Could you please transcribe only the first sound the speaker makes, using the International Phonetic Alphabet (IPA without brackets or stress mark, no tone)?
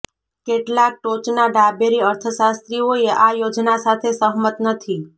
k